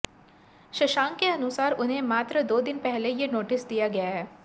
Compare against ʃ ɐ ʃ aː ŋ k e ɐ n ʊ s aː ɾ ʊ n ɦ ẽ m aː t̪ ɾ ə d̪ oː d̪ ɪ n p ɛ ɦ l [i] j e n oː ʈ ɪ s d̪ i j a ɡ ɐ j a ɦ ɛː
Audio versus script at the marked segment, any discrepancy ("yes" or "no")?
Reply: yes